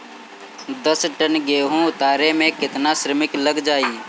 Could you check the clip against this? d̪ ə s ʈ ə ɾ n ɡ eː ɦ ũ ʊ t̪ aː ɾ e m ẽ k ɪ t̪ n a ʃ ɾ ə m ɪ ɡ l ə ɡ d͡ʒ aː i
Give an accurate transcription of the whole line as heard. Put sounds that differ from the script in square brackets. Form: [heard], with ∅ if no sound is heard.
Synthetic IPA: d̪ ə s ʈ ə [∅] n ɡ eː ɦ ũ ʊ t̪ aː ɾ e m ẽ k ɪ t̪ n a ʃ ɾ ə m ɪ [k] l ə ɡ d͡ʒ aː i